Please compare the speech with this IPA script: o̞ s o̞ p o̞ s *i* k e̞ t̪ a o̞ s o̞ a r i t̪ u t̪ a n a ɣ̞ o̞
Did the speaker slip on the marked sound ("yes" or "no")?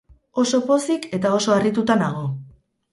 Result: no